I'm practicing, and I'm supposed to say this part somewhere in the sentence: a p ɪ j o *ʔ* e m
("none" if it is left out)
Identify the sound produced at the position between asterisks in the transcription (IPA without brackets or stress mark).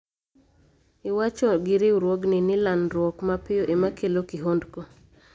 ʔ